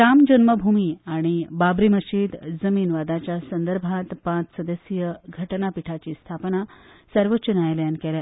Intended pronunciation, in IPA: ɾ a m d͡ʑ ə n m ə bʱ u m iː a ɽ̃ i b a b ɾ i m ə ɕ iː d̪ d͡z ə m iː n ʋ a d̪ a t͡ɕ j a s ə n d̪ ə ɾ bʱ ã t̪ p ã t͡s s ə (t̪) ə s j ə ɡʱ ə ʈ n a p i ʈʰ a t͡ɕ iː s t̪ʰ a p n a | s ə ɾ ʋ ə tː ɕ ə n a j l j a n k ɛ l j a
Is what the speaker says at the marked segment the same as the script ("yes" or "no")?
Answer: no